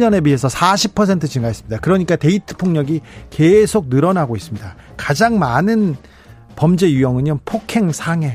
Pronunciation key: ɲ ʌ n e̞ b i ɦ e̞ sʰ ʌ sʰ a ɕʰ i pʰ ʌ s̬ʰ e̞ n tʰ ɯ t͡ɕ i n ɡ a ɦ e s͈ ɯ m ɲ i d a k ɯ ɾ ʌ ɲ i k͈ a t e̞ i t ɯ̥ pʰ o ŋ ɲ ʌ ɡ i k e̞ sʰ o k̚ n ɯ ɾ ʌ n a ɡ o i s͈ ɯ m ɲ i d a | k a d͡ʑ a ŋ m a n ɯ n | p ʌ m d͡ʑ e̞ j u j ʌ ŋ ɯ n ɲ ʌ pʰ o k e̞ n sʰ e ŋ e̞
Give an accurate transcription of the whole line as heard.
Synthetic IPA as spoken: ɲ ʌ n e̞ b i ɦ e̞ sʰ ʌ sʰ a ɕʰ i pʰ ʌ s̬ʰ e̞ n tʰ ɯ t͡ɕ i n ɡ a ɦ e s͈ ɯ m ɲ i d a k ɯ ɾ ʌ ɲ i k͈ a t e̞ i tʰ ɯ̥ pʰ o ŋ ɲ ʌ ɡ i k e̞ sʰ o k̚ n ɯ ɾ ʌ n a ɡ o i s͈ ɯ m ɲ i d a | k a d͡ʑ a ŋ m a n ɯ n | p ʌ m d͡ʑ e̞ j u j ʌ ŋ ɯ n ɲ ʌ pʰ o kʰ e̞ ŋ sʰ a ŋ e̞